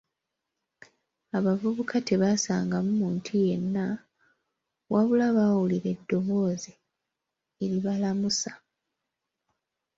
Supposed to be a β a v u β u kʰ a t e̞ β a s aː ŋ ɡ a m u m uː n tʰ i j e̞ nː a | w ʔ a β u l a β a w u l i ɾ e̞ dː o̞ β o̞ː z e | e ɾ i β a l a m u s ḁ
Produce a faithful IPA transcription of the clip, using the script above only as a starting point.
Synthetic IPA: a β a v u β u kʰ a t e̞ β a s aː ŋ ɡ a m u m uː n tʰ i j e̞ nː a | w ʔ a β u l a β a w u l i ɾ e̞ dː o̞ β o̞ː z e | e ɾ i β a l a m u s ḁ